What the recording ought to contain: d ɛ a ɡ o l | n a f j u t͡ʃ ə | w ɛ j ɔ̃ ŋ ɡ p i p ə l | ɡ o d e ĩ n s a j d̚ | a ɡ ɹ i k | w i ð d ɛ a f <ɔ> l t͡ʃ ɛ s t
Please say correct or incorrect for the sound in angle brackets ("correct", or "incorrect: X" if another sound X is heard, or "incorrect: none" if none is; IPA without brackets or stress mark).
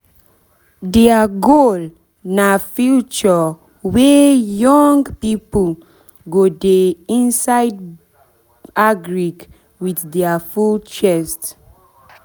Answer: incorrect: u